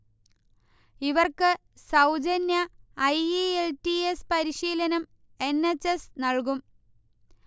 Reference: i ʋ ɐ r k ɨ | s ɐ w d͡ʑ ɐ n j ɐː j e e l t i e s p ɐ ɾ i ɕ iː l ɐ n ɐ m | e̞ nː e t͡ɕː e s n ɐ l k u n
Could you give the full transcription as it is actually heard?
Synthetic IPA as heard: i ʋ ɐ r k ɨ | s ɐ w d͡ʑ ɐ n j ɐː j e e l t i e s p ɐ ɾ i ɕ iː l ɐ n ɐ m | e̞ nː e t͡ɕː e s n ɐ ɭ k u m